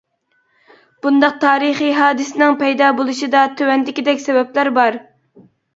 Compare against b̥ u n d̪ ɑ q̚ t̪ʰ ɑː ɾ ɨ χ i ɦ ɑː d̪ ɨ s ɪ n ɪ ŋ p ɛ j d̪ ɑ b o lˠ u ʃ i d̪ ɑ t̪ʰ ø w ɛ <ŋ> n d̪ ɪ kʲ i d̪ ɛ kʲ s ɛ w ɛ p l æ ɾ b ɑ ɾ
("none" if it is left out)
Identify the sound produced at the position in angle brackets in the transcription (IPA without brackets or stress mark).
none